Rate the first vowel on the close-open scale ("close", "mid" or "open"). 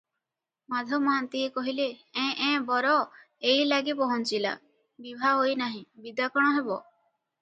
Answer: open